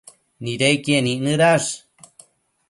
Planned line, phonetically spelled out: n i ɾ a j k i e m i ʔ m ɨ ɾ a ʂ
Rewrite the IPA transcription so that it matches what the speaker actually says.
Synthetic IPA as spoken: n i ɾ e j k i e n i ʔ n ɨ ɾ a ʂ